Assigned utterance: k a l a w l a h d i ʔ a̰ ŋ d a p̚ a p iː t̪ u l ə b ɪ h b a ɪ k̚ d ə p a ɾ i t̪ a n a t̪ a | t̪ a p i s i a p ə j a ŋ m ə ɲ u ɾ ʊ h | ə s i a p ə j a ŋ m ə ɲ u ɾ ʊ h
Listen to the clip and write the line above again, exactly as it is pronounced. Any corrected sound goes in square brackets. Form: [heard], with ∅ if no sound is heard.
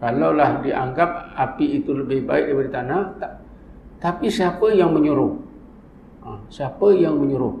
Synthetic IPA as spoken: k a l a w l a h d i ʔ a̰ ŋ [ɡ] a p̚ a p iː t̪ u l ə b ɪ h b a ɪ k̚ d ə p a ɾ i t̪ a n a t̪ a | t̪ a p i s i a p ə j a ŋ m ə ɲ u ɾ ʊ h | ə s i a p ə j a ŋ m ə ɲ u ɾ ʊ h